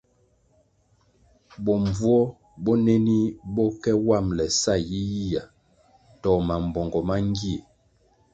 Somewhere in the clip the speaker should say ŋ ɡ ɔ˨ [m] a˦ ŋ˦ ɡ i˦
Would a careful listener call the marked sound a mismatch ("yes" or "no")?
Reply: no